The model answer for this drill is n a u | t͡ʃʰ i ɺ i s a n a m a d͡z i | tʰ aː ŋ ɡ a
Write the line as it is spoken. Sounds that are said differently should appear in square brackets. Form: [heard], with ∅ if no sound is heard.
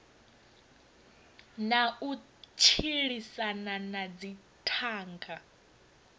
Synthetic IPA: n a u | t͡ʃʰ i ɺ i s a n a [n] a d͡z i | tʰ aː ŋ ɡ a